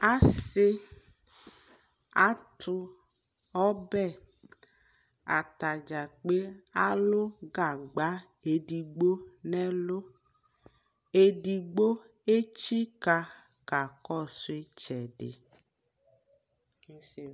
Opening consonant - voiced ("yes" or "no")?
no